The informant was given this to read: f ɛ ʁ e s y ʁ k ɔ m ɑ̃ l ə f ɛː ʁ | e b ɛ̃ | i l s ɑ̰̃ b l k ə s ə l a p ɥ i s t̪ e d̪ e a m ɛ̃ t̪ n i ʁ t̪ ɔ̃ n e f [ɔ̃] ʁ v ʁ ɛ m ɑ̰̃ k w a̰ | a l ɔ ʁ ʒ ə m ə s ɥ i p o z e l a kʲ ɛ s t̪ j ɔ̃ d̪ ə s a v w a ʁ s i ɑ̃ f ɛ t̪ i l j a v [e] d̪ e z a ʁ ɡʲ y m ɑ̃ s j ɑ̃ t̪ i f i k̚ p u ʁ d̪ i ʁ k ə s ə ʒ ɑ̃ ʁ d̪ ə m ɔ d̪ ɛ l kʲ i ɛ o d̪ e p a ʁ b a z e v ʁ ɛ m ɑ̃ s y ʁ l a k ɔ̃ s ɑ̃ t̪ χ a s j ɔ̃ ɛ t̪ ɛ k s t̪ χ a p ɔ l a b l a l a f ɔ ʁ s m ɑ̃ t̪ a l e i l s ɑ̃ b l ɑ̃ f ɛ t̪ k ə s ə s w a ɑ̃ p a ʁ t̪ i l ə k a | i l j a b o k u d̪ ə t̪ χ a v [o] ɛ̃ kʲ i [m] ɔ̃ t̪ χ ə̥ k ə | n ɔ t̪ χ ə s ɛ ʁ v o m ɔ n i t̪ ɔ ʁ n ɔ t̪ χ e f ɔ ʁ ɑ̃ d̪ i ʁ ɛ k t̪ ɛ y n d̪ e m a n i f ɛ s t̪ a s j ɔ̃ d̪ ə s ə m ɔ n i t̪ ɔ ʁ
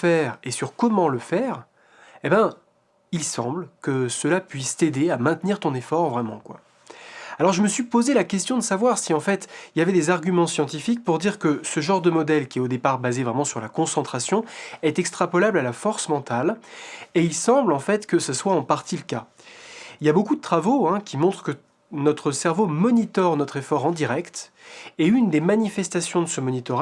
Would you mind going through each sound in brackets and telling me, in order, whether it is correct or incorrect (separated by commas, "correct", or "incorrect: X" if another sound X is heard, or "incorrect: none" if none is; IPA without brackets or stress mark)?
incorrect: ɔ, incorrect: ɛ, correct, correct